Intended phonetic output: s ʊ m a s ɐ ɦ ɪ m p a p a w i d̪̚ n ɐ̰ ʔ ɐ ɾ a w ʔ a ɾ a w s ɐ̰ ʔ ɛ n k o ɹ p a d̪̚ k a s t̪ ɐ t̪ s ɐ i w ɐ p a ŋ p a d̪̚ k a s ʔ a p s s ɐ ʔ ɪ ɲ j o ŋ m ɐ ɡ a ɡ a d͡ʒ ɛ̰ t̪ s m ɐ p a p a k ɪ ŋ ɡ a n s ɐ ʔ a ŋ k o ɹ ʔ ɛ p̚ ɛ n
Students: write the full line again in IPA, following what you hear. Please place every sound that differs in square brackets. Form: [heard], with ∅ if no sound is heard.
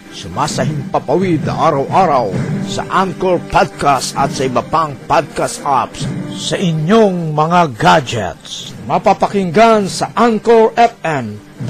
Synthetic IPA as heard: s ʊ m a s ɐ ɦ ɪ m p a p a w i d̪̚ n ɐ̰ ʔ [a] ɾ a w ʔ a ɾ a w s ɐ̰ ʔ [a] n k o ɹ p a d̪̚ k a s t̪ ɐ t̪ s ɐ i [b] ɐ p a ŋ p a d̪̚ k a s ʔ a p s s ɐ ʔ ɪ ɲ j o ŋ m ɐ [ŋ] a ɡ a d͡ʒ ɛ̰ t̪ s m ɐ p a p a k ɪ ŋ ɡ a n s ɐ ʔ a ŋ k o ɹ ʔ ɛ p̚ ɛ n